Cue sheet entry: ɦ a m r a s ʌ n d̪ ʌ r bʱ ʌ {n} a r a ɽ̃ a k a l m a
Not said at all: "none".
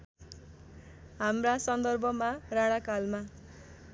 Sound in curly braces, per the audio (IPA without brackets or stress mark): m